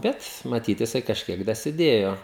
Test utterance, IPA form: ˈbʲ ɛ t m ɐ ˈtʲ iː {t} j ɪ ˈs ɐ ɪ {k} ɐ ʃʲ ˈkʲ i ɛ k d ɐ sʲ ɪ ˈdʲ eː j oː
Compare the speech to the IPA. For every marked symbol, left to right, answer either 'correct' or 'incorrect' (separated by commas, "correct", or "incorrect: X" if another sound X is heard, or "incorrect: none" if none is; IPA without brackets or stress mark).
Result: correct, correct